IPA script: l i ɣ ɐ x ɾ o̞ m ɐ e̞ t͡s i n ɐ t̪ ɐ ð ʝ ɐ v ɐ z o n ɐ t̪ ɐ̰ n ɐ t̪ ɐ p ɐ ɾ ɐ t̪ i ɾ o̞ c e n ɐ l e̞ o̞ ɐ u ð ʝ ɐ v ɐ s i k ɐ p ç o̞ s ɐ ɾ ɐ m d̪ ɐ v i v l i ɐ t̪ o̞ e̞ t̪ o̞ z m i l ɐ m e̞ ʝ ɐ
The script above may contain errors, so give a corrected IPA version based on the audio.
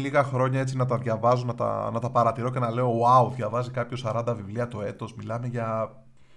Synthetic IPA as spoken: l i ɣ ɐ x ɾ o̞ ɲ ɐ e̞ t͡s i n ɐ t̪ ɐ ð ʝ ɐ v ɐ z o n ɐ t̪ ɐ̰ n ɐ t̪ ɐ p ɐ ɾ ɐ t̪ i ɾ o̞ c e n ɐ l e̞ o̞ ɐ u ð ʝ ɐ v ɐ z i k ɐ p ç o̞ s ɐ ɾ ɐ n d̪ ɐ v i v l i ɐ t̪ o̞ e̞ t̪ o̞ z m i l ɐ m e̞ ʝ ɐ